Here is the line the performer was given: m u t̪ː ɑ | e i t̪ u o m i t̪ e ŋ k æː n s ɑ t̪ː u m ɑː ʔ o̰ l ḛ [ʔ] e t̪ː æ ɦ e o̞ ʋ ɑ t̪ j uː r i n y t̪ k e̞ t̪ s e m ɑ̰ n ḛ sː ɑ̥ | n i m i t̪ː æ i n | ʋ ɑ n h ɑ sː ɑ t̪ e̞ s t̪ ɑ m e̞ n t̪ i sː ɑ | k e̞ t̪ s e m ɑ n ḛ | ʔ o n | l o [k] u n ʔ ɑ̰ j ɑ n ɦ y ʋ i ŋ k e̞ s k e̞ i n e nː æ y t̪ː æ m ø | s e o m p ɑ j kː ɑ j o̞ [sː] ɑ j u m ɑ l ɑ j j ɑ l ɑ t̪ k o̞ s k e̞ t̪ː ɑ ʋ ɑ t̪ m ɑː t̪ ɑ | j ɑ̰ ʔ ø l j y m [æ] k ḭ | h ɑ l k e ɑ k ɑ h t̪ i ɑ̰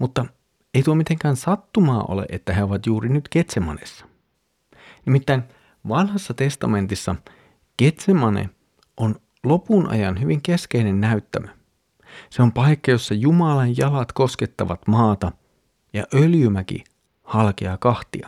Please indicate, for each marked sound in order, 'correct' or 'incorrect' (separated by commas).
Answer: correct, incorrect, correct, correct